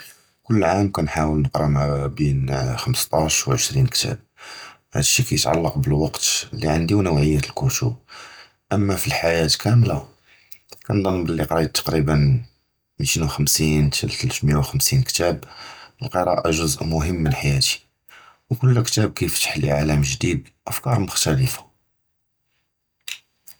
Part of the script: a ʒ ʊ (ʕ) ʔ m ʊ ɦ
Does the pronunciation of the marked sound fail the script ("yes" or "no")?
yes